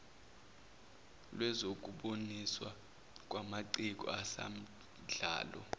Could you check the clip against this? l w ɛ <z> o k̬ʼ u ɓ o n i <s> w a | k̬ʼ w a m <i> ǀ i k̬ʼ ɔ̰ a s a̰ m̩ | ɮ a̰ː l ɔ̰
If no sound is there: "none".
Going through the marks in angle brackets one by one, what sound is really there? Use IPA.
z, s, a

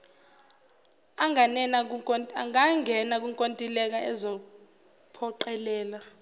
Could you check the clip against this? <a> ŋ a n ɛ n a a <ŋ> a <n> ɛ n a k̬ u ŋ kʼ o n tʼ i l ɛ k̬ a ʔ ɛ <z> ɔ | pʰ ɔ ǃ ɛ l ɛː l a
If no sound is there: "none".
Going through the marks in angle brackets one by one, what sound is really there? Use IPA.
a, ŋ, ŋ, z

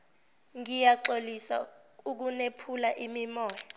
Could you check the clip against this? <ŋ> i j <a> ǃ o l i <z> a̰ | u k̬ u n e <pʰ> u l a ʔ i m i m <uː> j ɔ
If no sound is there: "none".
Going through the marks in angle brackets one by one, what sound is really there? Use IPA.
ŋ, a, s, pʰ, ɔː

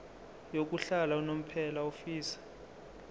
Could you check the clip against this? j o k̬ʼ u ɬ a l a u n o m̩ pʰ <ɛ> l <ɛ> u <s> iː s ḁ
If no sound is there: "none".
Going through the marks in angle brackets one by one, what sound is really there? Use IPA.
ɛ, a, f

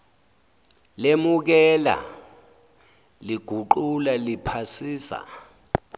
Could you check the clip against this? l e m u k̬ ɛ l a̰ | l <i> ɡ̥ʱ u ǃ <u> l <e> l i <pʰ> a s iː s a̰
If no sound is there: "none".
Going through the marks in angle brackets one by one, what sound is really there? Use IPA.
i, u, a, pʰ

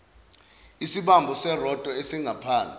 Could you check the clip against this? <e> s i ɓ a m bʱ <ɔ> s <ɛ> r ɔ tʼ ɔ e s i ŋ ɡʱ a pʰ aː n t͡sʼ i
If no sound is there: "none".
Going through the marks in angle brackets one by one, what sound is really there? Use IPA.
i, ɔ, ɛ

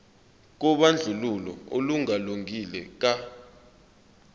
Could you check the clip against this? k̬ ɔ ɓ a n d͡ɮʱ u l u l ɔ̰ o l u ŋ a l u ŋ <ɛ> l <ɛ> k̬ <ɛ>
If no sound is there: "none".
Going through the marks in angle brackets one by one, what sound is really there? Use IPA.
i, ɛ, a

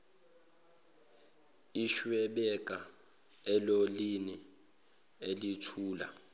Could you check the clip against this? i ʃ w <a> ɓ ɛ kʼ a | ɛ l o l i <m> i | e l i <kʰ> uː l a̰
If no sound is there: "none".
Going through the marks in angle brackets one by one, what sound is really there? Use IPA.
ɛ, n, tʰ

